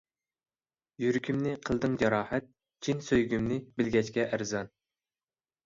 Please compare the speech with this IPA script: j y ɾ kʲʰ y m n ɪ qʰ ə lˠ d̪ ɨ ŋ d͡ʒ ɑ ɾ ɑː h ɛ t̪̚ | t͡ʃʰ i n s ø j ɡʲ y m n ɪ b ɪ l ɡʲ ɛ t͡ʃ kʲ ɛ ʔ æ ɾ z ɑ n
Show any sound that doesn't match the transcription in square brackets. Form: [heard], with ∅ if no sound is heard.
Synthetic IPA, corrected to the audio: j y ɾ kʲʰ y m n ɪ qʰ ə lˠ d̪ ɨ ŋ d͡ʒ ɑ ɾ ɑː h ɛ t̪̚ | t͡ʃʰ i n s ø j ɡʲ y m n ɪ b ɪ l ɡʲ ɛ t͡ʃ kʲ ɛ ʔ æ ɾ z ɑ n

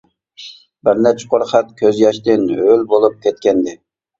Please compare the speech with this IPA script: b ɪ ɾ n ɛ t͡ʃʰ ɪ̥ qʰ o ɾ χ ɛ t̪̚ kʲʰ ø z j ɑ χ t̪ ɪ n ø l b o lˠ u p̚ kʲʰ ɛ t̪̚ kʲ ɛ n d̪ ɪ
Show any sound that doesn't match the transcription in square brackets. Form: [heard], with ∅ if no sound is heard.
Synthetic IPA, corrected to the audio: b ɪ ɾ n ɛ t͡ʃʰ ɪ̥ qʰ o ɾ χ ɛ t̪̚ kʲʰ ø z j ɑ [ʃ] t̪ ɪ n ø l b o lˠ u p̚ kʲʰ ɛ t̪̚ kʲ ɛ n d̪ ɪ

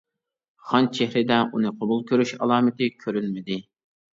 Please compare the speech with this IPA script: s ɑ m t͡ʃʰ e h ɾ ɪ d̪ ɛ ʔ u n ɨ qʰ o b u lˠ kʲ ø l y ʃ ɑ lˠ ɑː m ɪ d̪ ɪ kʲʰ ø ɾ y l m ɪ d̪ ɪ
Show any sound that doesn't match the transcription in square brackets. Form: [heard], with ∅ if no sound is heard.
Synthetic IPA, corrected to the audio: [χ] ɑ [n] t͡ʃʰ e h ɾ ɪ d̪ ɛ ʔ u n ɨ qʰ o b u lˠ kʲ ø [ɾ] y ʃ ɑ lˠ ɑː m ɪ [t̪] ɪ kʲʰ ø ɾ y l m ɪ d̪ ɪ

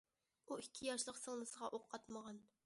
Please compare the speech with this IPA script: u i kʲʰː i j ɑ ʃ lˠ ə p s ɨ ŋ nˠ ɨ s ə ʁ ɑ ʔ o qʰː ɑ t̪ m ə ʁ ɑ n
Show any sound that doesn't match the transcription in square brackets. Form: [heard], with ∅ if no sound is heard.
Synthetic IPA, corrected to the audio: u i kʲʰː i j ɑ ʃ lˠ ə [q] s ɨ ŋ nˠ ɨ s ə ʁ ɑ ʔ o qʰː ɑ t̪ m ə ʁ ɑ n

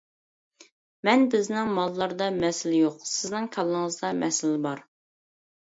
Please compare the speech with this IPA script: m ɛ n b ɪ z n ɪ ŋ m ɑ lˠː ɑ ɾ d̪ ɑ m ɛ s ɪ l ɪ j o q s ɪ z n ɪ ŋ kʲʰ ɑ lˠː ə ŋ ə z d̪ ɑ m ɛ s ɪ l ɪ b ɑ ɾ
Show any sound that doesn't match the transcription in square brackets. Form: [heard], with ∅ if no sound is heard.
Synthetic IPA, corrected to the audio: m ɛ n b ɪ z n ɪ ŋ m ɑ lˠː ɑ ɾ d̪ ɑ m ɛ s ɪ l ɪ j o q s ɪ z n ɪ ŋ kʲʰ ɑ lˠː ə ŋ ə z d̪ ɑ m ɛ s ɪ l ɪ b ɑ ɾ

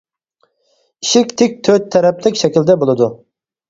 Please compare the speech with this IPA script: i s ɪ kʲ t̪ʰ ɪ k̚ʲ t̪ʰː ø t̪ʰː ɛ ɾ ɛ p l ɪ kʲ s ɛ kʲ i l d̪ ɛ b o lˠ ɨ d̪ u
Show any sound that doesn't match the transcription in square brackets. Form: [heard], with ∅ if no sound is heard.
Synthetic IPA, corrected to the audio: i [ʃ] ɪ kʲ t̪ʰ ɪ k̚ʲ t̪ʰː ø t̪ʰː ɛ ɾ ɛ p l ɪ kʲ [ʃ] ɛ kʲ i l d̪ ɛ b o lˠ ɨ d̪ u

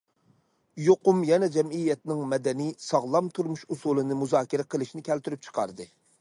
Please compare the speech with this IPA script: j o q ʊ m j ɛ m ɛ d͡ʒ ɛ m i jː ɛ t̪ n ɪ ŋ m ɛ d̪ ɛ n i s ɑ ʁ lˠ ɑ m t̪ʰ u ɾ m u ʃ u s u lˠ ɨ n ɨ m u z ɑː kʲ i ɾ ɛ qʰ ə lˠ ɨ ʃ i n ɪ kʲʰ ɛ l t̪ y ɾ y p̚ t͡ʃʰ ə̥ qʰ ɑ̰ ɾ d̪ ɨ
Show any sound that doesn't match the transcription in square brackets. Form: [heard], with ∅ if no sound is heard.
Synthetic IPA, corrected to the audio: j o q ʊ m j ɛ [n] ɛ d͡ʒ ɛ m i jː ɛ t̪ n ɪ ŋ m ɛ d̪ ɛ n i s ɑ ʁ lˠ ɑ m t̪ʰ u ɾ m u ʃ u s u lˠ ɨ n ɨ m u z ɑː kʲ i ɾ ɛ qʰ ə lˠ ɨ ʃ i n ɪ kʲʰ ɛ l t̪ y ɾ y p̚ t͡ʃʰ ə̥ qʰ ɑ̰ ɾ d̪ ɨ

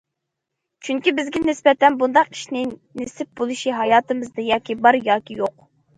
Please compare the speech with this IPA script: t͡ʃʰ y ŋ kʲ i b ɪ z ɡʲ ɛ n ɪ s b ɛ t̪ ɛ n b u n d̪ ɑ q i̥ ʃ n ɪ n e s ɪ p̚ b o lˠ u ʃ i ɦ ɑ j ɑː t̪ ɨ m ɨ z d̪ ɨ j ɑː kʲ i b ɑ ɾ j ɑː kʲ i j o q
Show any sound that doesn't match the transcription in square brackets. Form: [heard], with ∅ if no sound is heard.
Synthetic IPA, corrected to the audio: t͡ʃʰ y ŋ kʲ i b ɪ z ɡʲ ɛ n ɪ s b ɛ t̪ ɛ n b u n d̪ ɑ q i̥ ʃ n ɪ n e s ɪ p̚ b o lˠ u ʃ i ɦ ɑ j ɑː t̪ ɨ m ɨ z d̪ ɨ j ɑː kʲ i b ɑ ɾ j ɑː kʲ i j o q

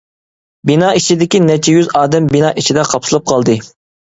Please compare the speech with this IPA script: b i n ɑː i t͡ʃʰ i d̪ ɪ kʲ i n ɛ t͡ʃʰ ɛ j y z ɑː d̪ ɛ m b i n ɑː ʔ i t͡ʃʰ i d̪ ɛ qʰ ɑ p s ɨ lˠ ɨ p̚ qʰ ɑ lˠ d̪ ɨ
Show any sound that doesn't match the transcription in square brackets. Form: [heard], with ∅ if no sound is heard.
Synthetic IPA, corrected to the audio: b i n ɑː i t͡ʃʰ i d̪ ɪ kʲ i n ɛ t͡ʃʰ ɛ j y z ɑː d̪ ɛ m b i n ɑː ʔ i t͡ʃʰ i d̪ ɛ qʰ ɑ p s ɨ lˠ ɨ p̚ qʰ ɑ lˠ d̪ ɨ

